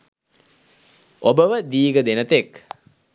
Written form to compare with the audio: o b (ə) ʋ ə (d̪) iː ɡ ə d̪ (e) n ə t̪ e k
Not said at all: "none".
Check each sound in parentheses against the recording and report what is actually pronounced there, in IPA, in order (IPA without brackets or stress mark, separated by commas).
ə, d̪, e